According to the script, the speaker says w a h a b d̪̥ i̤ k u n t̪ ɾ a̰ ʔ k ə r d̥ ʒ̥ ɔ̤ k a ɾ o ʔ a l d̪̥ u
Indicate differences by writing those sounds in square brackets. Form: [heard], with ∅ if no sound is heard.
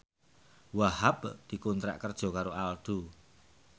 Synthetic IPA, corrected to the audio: w a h a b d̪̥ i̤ k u n t̪ ɾ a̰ ʔ k ə r d̥ ʒ̥ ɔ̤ k a ɾ o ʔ a l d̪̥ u